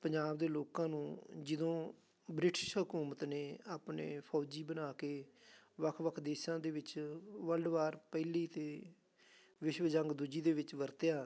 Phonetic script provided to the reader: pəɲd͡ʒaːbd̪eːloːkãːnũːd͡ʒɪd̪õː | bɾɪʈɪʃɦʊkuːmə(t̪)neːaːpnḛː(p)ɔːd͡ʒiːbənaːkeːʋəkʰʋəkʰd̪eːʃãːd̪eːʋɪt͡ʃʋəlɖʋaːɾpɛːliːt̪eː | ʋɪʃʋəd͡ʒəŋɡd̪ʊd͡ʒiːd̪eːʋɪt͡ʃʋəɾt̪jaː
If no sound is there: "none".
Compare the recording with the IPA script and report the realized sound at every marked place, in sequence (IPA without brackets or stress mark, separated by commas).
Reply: t̪, pʰ